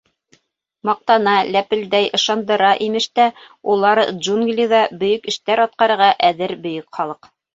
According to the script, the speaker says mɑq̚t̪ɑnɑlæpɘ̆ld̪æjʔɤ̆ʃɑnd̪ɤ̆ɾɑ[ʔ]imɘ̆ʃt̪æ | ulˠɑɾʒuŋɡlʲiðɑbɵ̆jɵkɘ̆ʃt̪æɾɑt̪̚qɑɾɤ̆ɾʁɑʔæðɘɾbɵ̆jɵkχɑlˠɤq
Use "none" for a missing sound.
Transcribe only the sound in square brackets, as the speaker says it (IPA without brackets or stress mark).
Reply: ʔ